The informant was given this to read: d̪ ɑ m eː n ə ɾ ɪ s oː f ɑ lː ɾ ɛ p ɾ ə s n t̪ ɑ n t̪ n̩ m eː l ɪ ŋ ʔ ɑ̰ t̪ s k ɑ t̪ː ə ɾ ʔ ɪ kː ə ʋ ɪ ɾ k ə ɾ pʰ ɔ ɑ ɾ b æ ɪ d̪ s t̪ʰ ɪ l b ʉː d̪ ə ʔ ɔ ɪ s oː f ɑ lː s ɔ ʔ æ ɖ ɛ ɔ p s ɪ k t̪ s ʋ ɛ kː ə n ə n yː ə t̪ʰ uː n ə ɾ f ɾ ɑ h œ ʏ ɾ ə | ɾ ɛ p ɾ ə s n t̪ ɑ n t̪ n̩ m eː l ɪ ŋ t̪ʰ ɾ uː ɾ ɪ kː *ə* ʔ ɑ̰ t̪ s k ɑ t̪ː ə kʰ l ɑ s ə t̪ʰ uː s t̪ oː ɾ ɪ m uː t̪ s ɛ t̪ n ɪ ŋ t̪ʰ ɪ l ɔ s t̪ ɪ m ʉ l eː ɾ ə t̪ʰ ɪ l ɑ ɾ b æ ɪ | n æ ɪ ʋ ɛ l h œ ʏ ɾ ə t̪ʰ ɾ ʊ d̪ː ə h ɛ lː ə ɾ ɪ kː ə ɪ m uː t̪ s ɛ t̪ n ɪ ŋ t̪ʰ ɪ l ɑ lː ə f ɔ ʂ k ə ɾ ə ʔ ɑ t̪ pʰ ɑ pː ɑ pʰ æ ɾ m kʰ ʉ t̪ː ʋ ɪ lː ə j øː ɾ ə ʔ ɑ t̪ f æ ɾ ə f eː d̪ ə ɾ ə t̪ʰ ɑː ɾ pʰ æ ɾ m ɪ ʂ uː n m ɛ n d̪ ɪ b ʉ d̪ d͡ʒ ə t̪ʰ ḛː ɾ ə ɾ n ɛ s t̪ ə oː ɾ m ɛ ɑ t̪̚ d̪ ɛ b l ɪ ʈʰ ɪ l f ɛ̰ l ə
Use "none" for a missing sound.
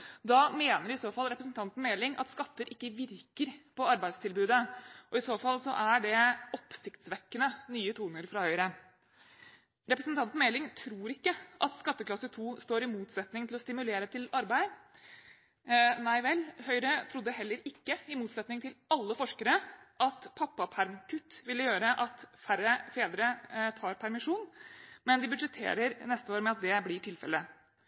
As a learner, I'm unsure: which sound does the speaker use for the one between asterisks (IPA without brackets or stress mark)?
ə